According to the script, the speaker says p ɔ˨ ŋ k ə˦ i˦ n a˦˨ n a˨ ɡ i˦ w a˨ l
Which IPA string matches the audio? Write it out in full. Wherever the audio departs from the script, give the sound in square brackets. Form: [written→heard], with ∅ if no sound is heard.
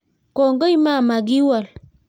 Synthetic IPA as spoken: [p→k] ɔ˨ ŋ [k→ɡ] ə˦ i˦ [n→m] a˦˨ [n→m] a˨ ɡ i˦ w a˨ l

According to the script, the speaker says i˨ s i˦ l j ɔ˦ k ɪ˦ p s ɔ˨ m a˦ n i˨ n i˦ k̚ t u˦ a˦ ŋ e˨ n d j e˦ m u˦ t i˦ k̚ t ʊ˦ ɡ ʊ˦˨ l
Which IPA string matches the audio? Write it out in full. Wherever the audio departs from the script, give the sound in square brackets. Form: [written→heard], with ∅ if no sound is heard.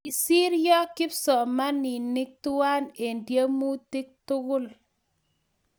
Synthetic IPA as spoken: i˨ s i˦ [l→ɾ] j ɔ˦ k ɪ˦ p s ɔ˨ m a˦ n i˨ n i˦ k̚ t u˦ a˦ [ŋ→n] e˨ n d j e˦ m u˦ t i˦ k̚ t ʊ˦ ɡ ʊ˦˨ l

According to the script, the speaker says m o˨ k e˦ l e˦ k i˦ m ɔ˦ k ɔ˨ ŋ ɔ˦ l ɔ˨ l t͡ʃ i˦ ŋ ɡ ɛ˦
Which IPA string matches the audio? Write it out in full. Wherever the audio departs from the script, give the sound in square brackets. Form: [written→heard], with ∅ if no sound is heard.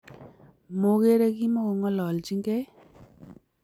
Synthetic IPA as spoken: m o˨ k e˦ [l→ɾ] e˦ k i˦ m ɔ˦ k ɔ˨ ŋ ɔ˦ l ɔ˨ l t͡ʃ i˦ ŋ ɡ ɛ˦

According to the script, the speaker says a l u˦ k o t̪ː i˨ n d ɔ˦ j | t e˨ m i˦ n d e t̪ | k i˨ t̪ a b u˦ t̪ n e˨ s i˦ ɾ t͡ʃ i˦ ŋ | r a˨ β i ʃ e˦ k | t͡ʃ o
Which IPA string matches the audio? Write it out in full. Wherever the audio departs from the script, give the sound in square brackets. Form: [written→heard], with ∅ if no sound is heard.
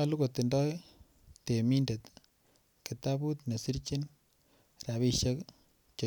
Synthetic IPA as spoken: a l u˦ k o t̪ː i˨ n d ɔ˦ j | t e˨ m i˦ n d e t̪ | k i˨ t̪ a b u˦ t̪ n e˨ s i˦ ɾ t͡ʃ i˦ [ŋ→n] | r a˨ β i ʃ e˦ k | t͡ʃ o

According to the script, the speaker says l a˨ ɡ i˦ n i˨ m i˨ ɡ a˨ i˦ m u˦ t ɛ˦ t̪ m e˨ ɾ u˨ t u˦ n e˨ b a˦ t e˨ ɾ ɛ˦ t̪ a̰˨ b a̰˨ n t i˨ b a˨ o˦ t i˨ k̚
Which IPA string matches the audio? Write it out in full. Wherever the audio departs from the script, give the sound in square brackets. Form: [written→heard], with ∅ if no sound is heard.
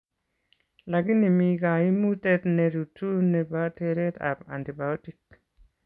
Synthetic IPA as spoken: l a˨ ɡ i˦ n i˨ m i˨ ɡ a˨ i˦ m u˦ t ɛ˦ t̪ [m→n] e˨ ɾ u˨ t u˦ n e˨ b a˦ t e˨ ɾ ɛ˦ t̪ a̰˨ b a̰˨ n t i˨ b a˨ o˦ t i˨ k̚

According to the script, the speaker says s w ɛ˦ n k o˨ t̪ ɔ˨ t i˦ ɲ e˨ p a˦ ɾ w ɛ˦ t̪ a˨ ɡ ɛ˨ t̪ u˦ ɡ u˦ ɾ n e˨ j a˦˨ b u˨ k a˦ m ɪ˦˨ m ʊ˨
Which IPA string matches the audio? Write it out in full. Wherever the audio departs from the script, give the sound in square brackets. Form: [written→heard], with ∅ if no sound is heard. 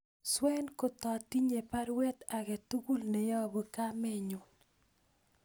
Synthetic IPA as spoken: s w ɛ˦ n k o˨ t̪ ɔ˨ t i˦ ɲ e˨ p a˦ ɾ w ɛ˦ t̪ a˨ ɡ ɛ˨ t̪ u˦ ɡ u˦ [ɾ→l] n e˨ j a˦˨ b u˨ k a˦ m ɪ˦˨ [m→ɲ] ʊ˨

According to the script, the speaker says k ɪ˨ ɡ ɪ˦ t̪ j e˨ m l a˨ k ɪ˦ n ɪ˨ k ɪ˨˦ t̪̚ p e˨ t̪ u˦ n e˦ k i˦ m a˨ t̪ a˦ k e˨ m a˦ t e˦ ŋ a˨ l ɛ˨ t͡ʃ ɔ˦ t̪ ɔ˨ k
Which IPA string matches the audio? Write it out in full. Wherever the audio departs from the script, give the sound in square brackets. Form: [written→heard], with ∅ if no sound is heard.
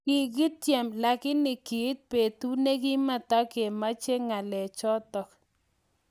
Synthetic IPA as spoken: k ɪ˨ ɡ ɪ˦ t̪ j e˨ m l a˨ k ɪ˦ n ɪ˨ k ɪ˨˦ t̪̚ p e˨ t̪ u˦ n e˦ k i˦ m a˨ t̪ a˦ k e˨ m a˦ [t→t͡ʃ] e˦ ŋ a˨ l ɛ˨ t͡ʃ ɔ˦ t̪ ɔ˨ k

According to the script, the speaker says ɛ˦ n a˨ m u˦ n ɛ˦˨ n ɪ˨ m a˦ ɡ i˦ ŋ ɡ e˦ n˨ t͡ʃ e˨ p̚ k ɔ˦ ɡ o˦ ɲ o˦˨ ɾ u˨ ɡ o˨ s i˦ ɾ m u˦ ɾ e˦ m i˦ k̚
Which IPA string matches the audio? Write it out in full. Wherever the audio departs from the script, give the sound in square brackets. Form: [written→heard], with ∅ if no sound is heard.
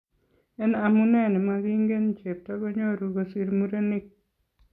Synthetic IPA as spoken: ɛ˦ n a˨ m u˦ n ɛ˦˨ n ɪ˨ m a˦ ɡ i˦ ŋ ɡ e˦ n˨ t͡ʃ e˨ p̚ [k→t] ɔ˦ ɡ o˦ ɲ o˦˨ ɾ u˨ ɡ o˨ s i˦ ɾ m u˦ ɾ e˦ [m→n] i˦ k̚

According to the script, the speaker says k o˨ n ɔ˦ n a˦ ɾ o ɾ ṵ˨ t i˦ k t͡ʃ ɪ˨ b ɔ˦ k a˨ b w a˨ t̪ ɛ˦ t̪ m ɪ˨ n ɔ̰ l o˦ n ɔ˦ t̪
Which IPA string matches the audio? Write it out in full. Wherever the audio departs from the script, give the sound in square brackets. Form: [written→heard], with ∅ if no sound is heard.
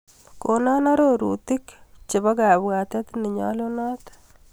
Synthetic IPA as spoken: k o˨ n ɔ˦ n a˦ ɾ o ɾ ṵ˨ t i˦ k t͡ʃ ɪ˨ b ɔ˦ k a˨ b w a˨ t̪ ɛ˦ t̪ [m→n] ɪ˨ [n→ɲ] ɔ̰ l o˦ n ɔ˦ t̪

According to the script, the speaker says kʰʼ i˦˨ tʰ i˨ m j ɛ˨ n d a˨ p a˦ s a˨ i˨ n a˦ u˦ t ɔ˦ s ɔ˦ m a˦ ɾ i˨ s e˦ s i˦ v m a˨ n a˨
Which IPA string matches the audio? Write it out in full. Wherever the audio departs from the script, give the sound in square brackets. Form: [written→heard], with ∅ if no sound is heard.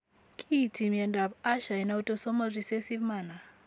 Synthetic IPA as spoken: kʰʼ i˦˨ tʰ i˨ m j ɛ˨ n d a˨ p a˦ [s→ʃ] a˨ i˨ n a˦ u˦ t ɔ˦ s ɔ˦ m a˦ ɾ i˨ s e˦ s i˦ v m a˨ n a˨

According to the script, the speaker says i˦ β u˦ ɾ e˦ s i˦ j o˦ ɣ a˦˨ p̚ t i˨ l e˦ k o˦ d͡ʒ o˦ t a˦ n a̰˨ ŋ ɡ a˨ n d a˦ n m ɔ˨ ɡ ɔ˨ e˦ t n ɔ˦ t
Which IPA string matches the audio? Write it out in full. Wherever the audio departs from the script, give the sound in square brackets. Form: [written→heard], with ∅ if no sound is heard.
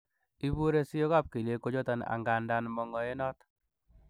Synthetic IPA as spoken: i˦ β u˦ ɾ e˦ s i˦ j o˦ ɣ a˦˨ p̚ [t→k] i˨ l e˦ k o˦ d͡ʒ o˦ t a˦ n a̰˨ ŋ ɡ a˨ n d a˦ n m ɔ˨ [ɡ→ŋ] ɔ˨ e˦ [t→∅] n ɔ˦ t

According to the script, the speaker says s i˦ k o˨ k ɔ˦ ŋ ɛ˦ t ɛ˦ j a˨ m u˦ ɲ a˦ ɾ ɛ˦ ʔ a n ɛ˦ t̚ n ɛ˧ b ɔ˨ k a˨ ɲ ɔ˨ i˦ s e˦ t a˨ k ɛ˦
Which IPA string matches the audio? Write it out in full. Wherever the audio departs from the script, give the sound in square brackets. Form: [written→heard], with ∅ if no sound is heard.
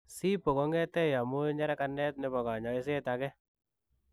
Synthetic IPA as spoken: s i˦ [k→p] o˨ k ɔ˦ ŋ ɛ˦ t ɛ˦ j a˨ m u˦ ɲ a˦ ɾ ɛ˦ [ʔ→k] a n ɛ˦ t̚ n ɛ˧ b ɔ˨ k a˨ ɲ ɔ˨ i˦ s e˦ t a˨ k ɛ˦

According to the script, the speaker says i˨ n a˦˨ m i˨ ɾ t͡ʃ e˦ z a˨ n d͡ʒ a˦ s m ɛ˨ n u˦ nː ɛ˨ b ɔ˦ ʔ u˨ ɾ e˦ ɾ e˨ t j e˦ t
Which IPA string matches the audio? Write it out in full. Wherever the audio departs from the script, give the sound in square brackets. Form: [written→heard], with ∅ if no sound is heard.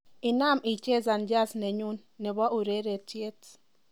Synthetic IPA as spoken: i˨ n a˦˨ m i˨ [ɾ→∅] t͡ʃ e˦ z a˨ n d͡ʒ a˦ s [m→n] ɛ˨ [n→ɲ] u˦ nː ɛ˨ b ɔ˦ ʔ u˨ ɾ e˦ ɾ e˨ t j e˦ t

